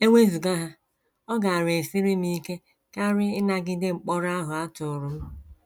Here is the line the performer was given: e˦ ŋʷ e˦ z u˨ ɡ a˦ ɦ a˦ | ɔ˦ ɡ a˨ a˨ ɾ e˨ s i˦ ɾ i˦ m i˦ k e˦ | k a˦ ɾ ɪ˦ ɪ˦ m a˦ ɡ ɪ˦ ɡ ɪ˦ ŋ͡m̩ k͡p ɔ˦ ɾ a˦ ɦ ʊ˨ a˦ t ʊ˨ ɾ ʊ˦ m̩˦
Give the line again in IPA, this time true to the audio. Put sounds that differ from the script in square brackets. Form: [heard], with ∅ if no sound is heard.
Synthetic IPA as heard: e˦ ŋʷ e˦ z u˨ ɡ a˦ ɦ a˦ | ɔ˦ ɡ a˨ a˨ ɾ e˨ s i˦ ɾ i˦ m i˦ k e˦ | k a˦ ɾ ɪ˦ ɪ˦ [n] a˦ ɡ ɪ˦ [d] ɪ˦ ŋ͡m̩ k͡p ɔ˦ ɾ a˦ ɦ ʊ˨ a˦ t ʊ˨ ɾ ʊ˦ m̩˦